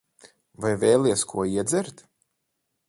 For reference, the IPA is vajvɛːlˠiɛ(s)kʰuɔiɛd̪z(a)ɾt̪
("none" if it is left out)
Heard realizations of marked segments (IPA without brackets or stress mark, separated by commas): s, ɛ